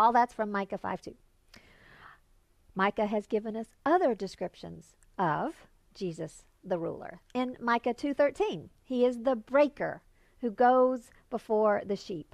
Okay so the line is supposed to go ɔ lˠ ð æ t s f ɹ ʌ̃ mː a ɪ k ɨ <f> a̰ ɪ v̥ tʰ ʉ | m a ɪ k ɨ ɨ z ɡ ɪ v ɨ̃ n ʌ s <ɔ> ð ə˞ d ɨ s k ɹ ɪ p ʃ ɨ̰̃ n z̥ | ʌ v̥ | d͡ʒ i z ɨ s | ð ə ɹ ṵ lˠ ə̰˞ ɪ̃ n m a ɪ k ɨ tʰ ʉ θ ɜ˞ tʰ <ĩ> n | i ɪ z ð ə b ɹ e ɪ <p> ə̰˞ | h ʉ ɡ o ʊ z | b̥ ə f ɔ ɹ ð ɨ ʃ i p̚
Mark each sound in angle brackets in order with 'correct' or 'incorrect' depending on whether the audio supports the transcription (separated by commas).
correct, incorrect, correct, incorrect